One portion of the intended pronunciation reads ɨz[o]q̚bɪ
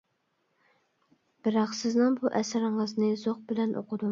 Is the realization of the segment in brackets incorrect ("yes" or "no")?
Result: no